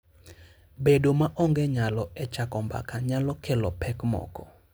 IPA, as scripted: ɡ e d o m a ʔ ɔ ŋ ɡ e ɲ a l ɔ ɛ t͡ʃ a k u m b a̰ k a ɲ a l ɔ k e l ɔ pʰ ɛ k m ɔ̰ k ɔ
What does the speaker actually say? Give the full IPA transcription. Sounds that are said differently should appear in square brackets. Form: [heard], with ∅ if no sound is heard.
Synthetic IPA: [b] e d o m a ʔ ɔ ŋ ɡ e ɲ a l ɔ ɛ t͡ʃ a k [ɔ] m b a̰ k a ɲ a l ɔ k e l ɔ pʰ ɛ k m ɔ̰ k ɔ